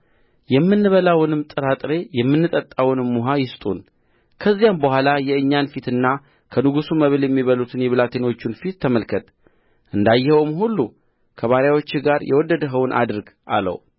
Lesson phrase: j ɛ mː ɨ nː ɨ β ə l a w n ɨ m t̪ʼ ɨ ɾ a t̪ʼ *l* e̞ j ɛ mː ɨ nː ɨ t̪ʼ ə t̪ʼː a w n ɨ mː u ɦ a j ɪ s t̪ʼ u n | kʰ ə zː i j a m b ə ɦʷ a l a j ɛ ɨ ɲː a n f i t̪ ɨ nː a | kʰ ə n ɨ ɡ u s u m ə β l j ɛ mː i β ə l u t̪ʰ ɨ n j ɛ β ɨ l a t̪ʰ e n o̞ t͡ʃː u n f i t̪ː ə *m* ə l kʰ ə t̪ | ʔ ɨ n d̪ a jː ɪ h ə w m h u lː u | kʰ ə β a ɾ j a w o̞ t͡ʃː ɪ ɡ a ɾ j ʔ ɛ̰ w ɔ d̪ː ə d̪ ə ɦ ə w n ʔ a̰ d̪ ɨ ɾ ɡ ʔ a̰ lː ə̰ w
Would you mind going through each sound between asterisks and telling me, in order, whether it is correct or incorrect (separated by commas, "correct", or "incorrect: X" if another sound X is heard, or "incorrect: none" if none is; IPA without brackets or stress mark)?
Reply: incorrect: ɾ, correct